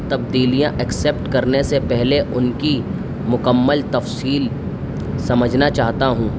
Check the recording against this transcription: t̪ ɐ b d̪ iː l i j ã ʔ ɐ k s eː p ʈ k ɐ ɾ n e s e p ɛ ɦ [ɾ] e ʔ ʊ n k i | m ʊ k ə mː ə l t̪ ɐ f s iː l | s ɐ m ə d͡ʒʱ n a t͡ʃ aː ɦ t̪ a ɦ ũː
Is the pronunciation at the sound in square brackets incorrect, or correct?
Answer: incorrect